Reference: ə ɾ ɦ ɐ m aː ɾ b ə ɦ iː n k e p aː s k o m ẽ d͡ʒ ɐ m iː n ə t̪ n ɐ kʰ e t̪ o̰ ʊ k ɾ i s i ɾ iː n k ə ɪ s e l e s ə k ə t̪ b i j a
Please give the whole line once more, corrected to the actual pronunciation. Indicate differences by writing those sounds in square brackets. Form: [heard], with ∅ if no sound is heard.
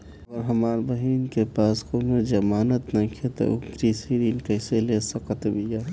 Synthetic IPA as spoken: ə ɾ ɦ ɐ m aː ɾ b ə ɦ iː n k e p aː s k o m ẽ d͡ʒ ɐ m [aː] n ə t̪ n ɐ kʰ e t̪ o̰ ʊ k ɾ i s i ɾ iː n k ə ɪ s e l e s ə k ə t̪ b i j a